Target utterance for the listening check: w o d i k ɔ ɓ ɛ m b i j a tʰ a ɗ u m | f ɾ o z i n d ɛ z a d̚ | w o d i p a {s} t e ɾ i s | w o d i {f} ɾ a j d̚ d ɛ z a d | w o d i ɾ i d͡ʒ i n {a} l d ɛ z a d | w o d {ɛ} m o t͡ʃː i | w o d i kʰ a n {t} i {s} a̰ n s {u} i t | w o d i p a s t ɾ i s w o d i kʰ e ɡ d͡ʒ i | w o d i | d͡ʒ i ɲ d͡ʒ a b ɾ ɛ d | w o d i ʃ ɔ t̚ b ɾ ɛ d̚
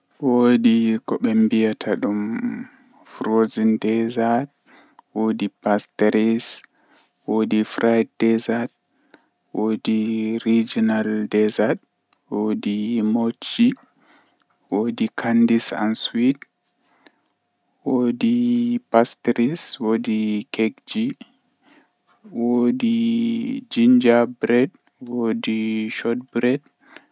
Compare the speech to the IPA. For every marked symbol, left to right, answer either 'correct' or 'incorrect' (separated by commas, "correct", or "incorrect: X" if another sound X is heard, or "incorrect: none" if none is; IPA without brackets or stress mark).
correct, correct, correct, incorrect: i, incorrect: d, correct, incorrect: w